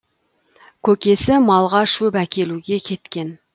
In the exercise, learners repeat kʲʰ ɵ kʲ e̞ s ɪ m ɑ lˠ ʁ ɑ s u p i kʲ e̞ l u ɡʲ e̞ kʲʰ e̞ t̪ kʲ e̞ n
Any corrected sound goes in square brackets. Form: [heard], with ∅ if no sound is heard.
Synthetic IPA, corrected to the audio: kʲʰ ɵ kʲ e̞ s ɪ m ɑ lˠ ʁ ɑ [ʃ] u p [æ] kʲ e̞ l u ɡʲ e̞ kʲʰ e̞ t̪ kʲ e̞ n